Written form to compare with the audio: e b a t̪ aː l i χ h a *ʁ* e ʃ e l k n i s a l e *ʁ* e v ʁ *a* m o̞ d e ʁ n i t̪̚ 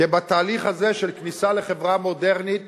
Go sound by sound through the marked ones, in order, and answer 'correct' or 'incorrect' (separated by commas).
incorrect, incorrect, correct